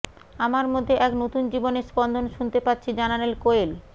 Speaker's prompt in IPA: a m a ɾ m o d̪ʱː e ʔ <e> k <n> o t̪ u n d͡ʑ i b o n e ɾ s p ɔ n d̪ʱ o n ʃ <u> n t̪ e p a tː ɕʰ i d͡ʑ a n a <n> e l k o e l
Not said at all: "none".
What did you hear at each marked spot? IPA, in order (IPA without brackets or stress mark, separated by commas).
ɛ, n, u, n